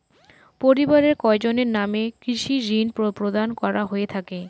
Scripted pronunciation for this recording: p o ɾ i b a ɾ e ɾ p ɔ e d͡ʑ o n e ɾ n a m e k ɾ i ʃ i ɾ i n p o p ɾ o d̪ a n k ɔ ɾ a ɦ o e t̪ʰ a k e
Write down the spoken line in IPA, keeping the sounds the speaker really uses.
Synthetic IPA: p o ɾ i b a ɾ e ɾ k ɔ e d͡ʑ o n e ɾ n a m e k ɾ i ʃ i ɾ i n p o p ɾ o d̪ a n k ɔ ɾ a ɦ o e t̪ʰ a k e